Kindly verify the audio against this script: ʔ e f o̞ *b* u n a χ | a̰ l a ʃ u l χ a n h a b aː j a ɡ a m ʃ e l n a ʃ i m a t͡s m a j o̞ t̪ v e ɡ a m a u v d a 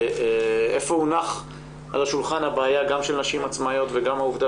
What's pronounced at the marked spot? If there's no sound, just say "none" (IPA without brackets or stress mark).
none